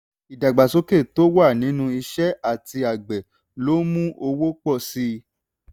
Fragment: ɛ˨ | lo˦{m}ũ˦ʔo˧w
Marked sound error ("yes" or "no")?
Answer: no